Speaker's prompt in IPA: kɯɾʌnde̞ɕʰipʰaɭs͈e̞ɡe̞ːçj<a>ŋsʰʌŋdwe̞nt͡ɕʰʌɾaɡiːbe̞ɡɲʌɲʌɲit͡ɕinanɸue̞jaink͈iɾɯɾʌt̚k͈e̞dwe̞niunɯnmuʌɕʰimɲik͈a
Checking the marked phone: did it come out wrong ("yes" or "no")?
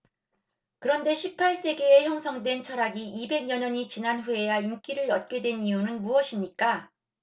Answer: yes